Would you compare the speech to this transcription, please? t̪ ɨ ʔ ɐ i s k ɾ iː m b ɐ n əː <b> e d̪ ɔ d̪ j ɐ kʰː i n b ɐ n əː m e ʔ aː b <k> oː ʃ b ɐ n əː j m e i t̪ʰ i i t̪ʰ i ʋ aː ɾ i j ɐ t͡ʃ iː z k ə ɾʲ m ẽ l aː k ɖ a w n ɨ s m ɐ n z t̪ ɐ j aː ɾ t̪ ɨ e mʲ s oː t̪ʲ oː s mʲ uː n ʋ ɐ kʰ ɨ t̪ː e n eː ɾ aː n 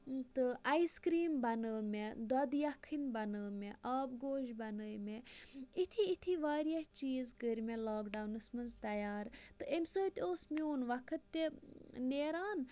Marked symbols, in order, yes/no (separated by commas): no, no